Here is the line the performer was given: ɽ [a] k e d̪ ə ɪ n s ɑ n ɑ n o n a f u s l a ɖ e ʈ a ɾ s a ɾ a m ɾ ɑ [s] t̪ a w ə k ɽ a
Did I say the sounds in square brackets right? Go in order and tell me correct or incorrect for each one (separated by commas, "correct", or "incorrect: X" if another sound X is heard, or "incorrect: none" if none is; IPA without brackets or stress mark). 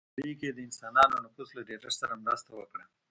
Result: incorrect: i, correct